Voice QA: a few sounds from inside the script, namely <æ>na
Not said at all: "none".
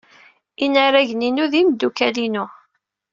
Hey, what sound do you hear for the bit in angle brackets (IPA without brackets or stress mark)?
i